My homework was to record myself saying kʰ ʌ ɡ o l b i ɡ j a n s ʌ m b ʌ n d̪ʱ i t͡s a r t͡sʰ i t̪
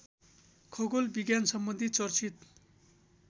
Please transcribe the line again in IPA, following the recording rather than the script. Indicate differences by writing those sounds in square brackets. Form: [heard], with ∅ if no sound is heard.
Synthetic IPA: kʰ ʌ ɡ o l b i ɡ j a n s ʌ m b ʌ n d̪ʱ i t͡s [ʌ] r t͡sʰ i t̪